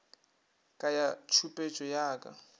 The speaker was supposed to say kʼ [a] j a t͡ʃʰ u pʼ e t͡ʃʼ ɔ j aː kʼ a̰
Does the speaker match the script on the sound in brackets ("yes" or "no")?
yes